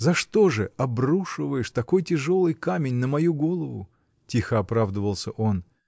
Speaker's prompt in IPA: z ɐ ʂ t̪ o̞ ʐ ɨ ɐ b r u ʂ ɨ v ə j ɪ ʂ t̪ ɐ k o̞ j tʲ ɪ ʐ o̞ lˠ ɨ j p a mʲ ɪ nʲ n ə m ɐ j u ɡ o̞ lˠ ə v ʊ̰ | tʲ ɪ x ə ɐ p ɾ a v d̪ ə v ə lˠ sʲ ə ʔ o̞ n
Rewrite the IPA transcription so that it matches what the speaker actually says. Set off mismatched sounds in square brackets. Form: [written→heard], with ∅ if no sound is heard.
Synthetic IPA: z ɐ ʂ t̪ o̞ ʐ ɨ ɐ b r u ʂ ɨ v ə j ɪ ʂ t̪ ɐ k o̞ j tʲ ɪ ʐ o̞ lˠ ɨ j [p→k] a mʲ ɪ nʲ n ə m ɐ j u ɡ o̞ lˠ ə v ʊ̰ | tʲ [ɪ→i] x ə ɐ p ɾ a v d̪ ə v ə lˠ sʲ ə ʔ o̞ n